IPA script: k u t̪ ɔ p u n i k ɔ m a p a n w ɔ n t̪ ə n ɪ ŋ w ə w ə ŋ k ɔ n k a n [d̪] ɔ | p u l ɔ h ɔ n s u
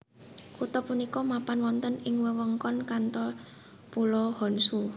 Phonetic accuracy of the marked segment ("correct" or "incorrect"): incorrect